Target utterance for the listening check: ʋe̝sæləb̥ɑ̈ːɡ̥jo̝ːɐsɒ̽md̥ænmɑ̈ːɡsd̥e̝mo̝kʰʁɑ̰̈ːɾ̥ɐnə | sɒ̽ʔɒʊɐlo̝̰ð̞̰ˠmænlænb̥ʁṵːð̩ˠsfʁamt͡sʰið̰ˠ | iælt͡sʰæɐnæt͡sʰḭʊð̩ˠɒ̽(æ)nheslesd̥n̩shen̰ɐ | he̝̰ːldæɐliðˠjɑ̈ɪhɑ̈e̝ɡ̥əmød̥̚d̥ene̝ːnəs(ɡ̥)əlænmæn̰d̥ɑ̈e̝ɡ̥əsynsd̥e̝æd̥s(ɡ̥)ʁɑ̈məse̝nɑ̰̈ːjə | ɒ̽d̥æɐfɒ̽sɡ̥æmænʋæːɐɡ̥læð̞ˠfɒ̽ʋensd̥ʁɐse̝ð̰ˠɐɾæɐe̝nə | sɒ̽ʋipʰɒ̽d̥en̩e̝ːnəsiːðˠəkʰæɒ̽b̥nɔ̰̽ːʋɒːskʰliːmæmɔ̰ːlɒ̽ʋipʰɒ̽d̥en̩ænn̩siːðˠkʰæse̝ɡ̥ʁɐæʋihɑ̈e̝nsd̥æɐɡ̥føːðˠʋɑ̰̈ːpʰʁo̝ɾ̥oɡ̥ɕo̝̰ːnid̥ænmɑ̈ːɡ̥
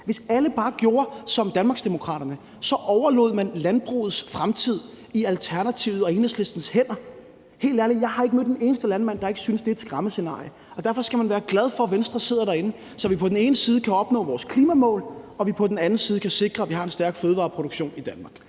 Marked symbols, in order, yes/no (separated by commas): no, no, yes